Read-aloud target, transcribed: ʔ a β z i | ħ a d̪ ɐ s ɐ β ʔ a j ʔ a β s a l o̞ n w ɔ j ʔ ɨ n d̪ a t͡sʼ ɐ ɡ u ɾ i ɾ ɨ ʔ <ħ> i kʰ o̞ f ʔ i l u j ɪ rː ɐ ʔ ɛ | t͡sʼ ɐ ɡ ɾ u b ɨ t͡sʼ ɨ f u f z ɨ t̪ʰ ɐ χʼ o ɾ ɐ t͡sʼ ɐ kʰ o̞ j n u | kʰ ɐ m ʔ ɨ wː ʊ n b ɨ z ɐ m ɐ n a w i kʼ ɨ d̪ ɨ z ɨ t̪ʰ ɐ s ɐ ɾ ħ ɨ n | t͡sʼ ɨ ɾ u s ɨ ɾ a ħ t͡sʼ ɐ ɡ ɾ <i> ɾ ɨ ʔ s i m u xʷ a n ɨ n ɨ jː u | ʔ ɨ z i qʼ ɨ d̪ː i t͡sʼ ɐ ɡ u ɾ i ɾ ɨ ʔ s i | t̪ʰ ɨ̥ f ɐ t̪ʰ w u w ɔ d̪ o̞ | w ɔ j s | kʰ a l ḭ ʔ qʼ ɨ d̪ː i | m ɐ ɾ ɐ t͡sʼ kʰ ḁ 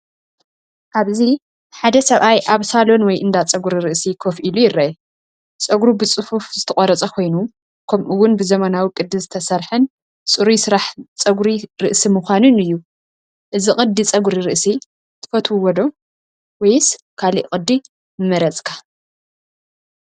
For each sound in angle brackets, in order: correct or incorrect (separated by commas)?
incorrect, correct